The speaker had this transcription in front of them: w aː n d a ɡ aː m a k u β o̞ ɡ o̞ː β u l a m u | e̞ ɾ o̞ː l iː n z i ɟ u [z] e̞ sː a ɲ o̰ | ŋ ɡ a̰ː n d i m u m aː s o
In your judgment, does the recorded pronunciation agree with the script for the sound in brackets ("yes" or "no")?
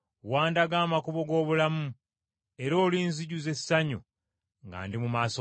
yes